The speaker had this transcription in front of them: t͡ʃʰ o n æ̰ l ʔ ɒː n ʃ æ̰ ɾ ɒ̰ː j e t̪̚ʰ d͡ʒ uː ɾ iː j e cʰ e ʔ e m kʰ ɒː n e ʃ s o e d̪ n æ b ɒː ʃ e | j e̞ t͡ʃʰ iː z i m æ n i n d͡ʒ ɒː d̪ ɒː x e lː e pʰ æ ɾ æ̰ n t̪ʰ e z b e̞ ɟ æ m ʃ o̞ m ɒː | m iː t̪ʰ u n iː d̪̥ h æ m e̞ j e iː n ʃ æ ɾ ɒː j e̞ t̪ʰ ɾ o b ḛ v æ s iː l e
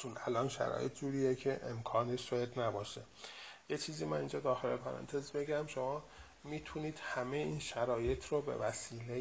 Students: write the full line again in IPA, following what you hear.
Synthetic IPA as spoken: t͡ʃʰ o n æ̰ l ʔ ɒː n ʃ æ̰ ɾ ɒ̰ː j e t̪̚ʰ d͡ʒ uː ɾ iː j e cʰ e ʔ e m kʰ ɒː n e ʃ s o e d̪ n æ b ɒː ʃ e | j e̞ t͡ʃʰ iː z i m æ n i n d͡ʒ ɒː d̪ ɒː x e l e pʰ æ ɾ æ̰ n t̪ʰ e z b e̞ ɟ æ m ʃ o̞ m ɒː | m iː t̪ʰ u n iː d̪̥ h æ m e̞ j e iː n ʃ æ ɾ ɒː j e̞ t̪ʰ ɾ o b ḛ v æ s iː l e